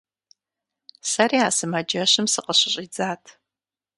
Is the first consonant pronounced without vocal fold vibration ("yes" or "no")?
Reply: yes